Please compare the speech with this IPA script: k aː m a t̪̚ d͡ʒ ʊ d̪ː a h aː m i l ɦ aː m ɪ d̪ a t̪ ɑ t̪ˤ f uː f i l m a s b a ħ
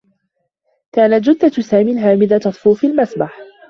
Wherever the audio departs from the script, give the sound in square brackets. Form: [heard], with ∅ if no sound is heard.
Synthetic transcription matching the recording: k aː [n] a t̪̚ d͡ʒ ʊ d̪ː a [s] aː m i l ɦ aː m ɪ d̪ a t̪ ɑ t̪ˤ f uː f i l m a s b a ħ